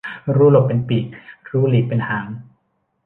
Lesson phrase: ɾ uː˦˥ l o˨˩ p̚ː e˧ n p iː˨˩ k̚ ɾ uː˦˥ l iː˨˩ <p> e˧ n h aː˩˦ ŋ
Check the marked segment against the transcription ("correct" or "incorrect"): correct